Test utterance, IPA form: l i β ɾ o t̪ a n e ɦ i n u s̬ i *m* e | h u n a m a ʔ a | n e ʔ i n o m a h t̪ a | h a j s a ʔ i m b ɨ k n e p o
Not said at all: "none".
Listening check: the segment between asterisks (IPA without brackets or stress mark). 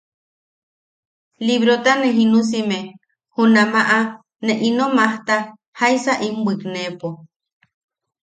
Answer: m